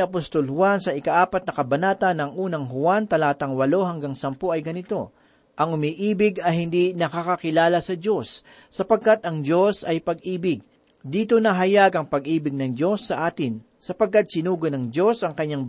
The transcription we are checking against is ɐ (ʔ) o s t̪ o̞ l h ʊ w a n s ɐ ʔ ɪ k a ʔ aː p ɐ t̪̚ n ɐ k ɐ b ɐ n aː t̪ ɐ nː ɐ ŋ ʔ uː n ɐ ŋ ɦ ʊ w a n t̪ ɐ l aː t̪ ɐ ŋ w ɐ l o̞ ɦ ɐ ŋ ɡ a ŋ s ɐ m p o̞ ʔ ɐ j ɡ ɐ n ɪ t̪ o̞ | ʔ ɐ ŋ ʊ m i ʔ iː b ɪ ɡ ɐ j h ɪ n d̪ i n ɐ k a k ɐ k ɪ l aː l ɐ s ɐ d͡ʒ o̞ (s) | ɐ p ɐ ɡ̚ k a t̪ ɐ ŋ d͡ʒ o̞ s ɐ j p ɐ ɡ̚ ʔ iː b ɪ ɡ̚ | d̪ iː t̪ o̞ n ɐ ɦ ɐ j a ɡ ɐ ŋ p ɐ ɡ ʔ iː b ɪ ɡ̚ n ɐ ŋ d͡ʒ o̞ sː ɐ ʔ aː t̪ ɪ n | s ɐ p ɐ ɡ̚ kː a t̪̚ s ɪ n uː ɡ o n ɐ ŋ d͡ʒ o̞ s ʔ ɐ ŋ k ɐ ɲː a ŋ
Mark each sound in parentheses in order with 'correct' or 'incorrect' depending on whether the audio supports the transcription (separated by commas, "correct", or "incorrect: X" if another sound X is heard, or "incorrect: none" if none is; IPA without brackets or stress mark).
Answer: incorrect: p, incorrect: sː